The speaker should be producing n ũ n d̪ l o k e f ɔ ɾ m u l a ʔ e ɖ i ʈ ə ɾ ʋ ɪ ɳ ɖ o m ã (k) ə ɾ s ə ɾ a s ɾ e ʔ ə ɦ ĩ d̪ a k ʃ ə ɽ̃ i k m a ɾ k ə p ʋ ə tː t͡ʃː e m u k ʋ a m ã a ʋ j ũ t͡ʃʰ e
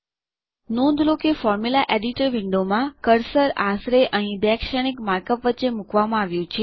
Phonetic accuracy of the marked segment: correct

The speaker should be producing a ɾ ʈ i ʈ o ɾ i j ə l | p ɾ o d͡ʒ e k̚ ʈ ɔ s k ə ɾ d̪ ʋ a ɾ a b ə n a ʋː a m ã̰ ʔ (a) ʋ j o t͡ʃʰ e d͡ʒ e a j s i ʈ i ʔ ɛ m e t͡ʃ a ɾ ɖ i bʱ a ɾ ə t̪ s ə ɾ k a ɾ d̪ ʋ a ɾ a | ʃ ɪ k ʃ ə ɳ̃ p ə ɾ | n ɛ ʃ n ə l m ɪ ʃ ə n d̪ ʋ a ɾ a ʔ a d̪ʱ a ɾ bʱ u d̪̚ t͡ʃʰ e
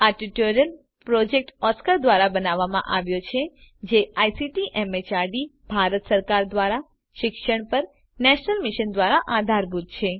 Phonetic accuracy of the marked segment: correct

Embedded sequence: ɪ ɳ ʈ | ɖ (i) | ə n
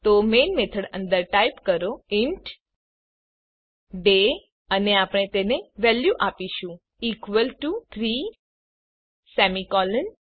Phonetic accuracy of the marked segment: incorrect: e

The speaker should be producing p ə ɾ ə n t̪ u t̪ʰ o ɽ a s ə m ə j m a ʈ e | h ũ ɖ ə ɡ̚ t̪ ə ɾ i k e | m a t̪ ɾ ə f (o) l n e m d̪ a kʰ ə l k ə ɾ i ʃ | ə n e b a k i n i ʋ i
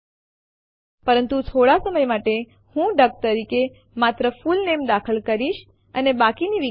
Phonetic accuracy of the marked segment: incorrect: u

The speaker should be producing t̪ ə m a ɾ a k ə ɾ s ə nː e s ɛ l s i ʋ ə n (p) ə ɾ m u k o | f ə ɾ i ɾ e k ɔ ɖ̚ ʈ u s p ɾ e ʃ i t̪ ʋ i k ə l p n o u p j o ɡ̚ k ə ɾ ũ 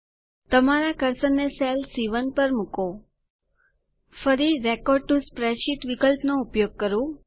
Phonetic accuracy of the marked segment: correct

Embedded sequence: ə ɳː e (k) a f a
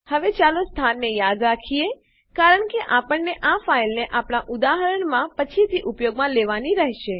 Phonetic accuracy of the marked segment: incorrect: ʔ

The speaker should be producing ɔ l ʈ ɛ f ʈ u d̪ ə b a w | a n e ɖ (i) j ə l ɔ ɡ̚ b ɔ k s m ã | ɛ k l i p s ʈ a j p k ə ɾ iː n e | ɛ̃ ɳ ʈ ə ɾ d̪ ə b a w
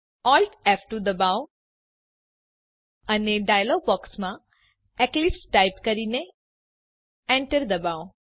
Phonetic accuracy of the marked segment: incorrect: a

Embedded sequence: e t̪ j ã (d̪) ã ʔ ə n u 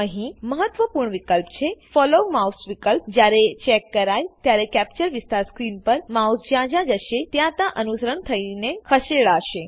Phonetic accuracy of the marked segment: incorrect: t̪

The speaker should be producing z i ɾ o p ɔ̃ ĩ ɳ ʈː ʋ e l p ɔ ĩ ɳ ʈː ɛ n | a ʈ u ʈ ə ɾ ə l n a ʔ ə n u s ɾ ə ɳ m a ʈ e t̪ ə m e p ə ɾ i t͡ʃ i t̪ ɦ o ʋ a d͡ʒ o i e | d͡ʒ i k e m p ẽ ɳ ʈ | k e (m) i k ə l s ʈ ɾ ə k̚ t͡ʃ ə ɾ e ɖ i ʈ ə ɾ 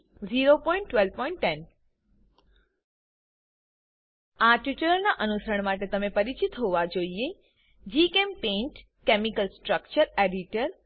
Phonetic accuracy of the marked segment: correct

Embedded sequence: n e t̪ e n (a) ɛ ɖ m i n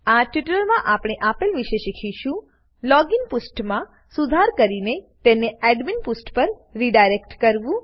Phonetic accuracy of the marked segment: incorrect: e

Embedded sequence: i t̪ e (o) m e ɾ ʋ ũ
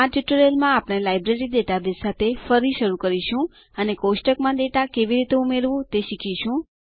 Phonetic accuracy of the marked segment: incorrect: u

